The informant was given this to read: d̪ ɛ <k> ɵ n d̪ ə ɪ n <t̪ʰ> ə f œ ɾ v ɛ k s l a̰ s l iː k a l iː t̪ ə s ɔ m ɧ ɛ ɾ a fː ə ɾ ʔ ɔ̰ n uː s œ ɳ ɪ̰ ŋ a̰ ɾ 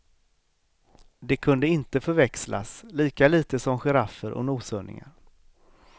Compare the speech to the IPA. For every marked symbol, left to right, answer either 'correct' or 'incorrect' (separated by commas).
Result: incorrect, incorrect